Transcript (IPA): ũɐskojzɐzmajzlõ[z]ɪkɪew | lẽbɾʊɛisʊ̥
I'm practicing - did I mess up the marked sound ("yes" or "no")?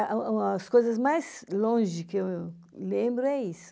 yes